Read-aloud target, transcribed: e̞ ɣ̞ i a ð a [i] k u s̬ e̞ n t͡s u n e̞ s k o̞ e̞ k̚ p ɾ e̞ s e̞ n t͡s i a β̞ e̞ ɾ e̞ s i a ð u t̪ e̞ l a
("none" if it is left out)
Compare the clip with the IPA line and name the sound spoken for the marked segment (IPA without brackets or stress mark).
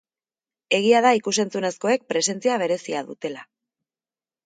i